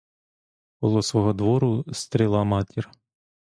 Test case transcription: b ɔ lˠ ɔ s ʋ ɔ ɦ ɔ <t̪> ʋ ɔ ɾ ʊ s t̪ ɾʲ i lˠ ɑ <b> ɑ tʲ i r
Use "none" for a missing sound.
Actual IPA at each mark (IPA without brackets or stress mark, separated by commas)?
d̪, m